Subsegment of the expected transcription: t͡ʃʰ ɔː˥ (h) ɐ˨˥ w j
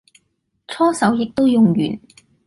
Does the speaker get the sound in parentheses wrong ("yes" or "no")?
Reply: yes